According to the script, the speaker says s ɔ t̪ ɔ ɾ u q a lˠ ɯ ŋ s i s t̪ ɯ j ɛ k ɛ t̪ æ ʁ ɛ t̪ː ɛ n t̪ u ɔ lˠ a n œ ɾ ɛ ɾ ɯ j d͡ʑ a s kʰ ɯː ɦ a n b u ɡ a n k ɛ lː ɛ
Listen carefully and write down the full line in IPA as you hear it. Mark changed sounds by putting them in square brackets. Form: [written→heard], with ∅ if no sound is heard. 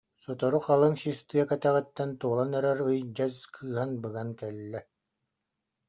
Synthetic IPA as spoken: s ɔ t̪ ɔ ɾ u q a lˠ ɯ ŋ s i s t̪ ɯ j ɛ k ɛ t̪ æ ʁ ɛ t̪ː ɛ n t̪ u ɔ lˠ a n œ ɾ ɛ ɾ ɯ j d͡ʑ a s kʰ ɯː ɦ a n b [u→ɯ] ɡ a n k ɛ lː ɛ